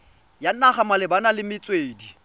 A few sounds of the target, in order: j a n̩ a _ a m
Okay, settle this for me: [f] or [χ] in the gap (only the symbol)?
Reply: χ